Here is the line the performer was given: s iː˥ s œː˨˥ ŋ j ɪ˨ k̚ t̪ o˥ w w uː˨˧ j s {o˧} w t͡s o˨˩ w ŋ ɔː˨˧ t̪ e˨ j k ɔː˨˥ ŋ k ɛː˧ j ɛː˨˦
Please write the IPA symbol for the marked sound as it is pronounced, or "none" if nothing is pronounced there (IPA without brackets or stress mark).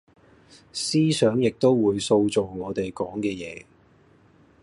o˧